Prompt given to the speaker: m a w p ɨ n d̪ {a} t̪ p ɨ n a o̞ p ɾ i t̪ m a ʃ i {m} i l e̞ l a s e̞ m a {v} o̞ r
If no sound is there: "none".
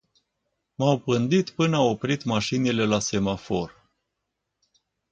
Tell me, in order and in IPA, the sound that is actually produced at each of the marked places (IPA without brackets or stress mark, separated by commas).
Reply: i, n, f